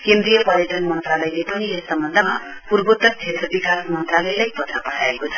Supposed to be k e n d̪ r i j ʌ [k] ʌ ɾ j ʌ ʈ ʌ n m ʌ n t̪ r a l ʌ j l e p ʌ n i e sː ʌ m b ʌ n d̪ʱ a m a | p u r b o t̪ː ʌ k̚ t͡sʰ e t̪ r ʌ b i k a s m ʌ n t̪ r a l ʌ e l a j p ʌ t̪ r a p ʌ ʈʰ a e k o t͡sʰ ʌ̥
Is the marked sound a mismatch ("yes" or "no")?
yes